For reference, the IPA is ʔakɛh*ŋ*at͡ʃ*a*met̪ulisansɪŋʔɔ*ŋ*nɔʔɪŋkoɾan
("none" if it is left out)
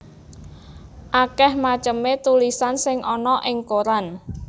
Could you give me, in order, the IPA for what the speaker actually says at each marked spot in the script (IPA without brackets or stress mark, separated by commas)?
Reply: m, ə, none